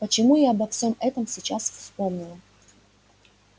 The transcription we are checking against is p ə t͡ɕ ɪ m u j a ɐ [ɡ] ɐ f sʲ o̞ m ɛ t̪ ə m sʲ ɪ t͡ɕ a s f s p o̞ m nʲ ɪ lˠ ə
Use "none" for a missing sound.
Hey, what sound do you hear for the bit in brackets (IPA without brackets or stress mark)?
b